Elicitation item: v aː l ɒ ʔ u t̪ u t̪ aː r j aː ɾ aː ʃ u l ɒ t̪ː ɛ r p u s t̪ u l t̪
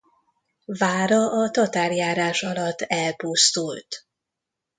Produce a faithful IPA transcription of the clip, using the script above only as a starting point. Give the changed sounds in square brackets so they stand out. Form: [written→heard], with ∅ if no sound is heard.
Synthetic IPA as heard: v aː [l→ɾ] ɒ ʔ [u→ɒ] t̪ [u→ɒ] t̪ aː r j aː ɾ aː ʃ [u→ɒ] l ɒ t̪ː ɛ [r→l] p u s t̪ u l t̪